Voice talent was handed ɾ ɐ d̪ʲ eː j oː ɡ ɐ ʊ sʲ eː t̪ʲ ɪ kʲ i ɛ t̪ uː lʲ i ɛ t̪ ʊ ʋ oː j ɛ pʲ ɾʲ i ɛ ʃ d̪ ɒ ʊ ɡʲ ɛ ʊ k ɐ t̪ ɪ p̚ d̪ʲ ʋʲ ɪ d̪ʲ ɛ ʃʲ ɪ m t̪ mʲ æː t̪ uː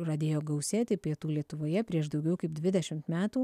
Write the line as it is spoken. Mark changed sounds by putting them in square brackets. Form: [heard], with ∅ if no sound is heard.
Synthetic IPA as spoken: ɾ ɐ d̪ʲ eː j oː ɡ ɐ ʊ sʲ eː t̪ʲ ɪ [pʲ] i ɛ t̪ uː lʲ i ɛ t̪ ʊ ʋ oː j ɛ pʲ ɾʲ i ɛ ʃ d̪ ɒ ʊ ɡʲ ɛ ʊ k ɐ [∅] ɪ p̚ d̪ʲ ʋʲ ɪ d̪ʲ ɛ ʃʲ ɪ m t̪ mʲ æː t̪ uː